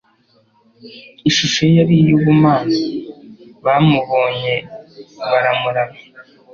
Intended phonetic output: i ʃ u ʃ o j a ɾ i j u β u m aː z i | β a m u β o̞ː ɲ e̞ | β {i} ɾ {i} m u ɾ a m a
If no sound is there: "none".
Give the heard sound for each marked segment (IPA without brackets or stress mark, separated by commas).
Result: a, a